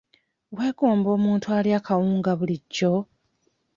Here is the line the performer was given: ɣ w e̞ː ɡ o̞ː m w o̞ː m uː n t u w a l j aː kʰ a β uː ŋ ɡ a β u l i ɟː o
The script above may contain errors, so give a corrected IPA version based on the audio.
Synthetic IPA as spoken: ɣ w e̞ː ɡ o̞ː m b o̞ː m uː n t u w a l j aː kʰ a w uː ŋ ɡ a β u l i ɟː o